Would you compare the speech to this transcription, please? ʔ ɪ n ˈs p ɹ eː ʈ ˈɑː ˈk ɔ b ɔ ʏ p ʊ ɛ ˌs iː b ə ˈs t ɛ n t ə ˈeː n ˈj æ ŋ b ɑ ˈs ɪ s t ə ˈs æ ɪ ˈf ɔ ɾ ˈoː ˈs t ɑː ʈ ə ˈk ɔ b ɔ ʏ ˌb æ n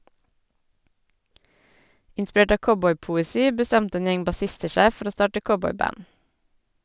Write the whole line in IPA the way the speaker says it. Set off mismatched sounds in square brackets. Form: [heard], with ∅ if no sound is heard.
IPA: ʔ ɪ n ˈs p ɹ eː ʈ ˈɑː ˈk ɔ b ɔ ʏ p ʊ ɛ ˌs iː b ə ˈs t ɛ n t ə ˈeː n ˈj [ɛ] ŋ b ɑ ˈs ɪ s t ə [ˈʃ] æ ɪ ˈf ɔ ɾ ˈoː ˈs t ɑː ʈ ə ˈk ɔ b ɔ ʏ ˌb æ n